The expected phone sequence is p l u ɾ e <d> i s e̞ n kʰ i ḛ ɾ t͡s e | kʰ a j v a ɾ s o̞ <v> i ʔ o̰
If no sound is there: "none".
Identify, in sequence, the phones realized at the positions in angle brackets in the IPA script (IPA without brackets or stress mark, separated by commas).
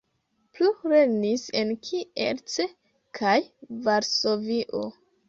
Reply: n, v